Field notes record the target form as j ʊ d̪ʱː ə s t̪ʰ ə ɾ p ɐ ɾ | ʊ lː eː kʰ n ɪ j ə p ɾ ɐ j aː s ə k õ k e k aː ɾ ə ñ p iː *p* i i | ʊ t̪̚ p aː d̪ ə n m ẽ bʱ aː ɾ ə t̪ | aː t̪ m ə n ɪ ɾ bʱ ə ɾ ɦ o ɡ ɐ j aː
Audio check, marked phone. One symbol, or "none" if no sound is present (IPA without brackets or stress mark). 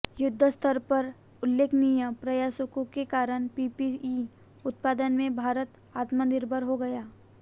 p